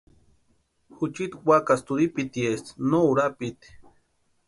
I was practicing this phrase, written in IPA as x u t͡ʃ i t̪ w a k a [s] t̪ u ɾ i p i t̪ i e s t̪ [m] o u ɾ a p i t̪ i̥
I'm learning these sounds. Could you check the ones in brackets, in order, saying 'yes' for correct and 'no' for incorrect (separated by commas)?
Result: yes, no